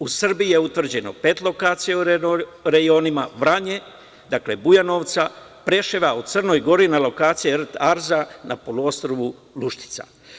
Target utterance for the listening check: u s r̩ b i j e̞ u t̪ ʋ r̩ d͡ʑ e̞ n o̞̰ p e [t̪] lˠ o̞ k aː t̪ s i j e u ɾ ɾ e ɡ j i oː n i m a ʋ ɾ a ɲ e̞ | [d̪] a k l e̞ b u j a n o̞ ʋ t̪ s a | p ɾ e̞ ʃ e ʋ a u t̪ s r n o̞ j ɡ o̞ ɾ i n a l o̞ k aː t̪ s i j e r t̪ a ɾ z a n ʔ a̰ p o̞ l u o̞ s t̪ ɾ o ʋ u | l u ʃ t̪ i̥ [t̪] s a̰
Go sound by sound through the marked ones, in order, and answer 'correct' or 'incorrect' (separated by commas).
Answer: correct, correct, correct